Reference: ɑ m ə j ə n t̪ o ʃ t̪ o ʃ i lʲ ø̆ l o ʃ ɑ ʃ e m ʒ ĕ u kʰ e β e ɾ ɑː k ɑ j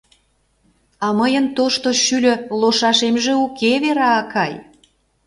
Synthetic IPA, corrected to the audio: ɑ m ə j ə n t̪ o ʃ t̪ o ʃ y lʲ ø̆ l o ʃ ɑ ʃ e m ʒ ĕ u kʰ e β e ɾ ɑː k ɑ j